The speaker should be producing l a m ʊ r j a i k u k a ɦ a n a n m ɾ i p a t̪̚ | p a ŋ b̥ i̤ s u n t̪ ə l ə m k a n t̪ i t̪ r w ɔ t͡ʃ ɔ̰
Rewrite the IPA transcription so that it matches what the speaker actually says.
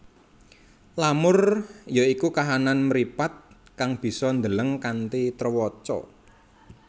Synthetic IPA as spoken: l a m ʊ r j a i k u k a ɦ a n a n m ɾ i p a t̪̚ | k a ŋ b̥ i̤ s ɔ n d̪ ə l ə ŋ k a n t̪ i t̪ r w ɔ t͡ʃ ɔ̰